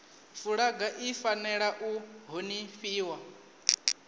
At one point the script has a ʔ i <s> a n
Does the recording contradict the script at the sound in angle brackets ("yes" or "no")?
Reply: yes